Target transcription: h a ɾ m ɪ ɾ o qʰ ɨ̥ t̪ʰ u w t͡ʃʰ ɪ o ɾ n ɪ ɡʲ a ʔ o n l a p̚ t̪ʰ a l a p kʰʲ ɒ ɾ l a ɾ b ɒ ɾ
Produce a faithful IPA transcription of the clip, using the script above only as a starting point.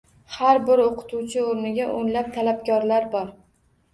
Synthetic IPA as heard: h a ɾ b ɪ ɾ o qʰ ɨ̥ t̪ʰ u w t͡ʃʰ ɪ o ɾ n ɪ ɡʲ a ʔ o n l a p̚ t̪ʰ a l a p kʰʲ ɒ ɾ l a ɾ b ɒ ɾ